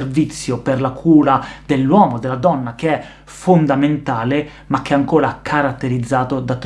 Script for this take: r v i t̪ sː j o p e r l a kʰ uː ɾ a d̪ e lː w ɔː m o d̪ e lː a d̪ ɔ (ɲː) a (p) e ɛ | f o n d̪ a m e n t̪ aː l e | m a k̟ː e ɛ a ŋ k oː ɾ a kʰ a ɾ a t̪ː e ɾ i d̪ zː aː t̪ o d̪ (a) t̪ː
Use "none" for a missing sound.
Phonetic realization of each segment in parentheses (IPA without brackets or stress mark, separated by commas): nː, k, a